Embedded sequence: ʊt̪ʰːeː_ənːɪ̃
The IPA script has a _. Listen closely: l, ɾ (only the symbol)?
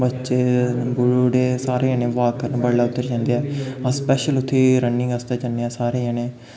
ɾ